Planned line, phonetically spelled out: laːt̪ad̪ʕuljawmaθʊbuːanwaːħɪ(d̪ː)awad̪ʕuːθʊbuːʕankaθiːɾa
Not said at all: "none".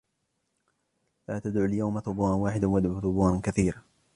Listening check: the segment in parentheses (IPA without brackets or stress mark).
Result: d̪